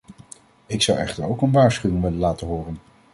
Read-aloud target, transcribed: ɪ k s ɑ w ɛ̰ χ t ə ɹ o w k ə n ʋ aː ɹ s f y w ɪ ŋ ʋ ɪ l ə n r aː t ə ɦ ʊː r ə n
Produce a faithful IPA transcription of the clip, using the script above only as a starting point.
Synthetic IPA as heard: ɪ k s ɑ w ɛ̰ χ t ə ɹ o w k ə n ʋ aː ɹ s χ y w ɪ ŋ ʋ ɪ l ə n l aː t ə ɦ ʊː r ə n